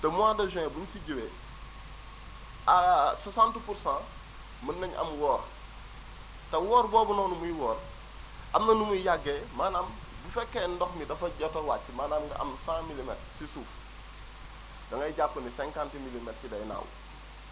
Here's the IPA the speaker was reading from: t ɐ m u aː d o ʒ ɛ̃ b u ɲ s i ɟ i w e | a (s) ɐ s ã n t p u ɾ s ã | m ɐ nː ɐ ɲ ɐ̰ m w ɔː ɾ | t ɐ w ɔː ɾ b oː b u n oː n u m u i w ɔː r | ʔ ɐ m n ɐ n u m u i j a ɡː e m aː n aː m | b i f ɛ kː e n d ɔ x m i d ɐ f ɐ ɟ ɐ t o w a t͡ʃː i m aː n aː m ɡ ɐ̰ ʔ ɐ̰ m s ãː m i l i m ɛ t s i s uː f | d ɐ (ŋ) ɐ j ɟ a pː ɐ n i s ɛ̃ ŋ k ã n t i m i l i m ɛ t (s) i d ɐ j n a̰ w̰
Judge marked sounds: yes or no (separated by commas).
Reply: yes, yes, yes